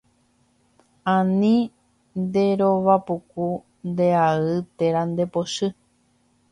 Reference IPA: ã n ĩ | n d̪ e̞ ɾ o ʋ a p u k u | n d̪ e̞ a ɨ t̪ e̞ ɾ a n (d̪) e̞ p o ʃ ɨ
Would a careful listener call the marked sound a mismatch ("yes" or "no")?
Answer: no